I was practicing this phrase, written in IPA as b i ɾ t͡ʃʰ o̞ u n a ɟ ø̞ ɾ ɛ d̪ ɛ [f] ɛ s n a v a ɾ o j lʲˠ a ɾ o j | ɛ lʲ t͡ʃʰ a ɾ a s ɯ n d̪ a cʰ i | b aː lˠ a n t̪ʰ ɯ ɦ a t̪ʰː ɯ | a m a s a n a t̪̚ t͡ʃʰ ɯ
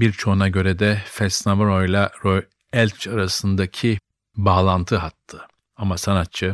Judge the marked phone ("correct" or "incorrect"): correct